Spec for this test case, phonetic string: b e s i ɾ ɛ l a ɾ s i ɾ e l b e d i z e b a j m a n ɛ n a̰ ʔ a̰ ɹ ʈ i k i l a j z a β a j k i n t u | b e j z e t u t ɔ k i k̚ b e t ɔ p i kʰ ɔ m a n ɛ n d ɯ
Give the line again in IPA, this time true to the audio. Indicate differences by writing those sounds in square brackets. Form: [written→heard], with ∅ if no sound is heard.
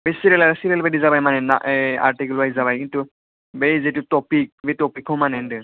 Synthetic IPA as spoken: b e s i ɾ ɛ l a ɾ s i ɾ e l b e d i z [e→a] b a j m a n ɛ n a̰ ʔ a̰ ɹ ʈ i k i l a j z a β a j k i n t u | b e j z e t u t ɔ [k→p] i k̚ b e t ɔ p i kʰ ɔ m a n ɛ n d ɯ